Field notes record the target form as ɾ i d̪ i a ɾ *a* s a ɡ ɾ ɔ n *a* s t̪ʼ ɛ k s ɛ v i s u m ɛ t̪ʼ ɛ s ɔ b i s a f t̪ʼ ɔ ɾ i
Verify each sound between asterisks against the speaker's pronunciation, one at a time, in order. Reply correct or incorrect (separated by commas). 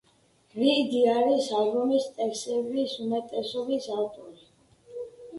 incorrect, incorrect